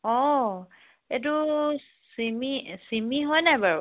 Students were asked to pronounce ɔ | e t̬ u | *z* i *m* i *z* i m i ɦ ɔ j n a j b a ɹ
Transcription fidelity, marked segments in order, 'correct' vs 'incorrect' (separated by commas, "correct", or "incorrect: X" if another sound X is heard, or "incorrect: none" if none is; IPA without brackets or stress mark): incorrect: s, correct, incorrect: s